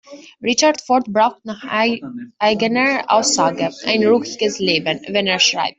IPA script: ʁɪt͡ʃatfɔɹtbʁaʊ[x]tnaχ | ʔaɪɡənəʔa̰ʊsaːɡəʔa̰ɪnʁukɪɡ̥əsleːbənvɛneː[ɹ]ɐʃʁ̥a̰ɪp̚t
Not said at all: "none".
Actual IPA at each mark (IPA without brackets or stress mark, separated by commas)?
x, none